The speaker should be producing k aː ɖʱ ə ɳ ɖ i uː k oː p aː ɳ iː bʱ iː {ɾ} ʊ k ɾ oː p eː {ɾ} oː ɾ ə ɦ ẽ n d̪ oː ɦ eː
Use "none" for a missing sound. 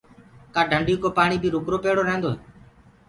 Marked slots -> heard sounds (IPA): ɾ, ɽ

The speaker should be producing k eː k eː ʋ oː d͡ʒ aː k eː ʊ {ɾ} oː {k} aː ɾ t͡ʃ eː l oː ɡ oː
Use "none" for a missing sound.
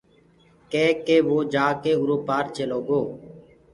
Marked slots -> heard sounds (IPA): ɾ, p

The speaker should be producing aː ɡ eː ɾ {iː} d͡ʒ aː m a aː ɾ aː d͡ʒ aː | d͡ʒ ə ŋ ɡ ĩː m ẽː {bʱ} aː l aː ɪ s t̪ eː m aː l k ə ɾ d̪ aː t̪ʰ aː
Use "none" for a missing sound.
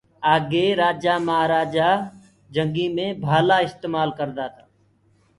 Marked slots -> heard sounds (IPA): aː, bʱ

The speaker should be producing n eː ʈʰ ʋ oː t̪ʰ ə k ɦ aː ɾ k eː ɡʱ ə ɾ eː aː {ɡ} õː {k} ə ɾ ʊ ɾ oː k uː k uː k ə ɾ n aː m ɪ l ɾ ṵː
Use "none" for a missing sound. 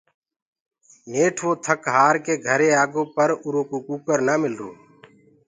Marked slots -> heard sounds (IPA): ɡ, p

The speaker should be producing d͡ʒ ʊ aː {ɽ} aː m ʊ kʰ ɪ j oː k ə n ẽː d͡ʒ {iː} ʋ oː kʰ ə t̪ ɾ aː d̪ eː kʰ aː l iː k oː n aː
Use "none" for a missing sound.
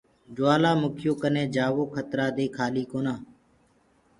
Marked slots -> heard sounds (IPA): l, aː

